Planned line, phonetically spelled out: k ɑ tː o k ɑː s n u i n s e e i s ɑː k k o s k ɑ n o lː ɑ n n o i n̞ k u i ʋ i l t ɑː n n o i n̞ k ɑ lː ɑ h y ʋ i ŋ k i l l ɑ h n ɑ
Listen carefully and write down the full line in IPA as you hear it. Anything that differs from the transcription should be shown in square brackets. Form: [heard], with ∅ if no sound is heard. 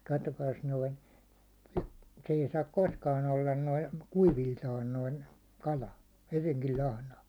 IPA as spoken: k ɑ tː o k ɑː s n [o] i n s e e i s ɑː k k o s k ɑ n o lː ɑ n n o i n̞ k u i ʋ i l t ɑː n n o i n̞ k ɑ [l] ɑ h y ʋ i ŋ k i l l ɑ h n ɑ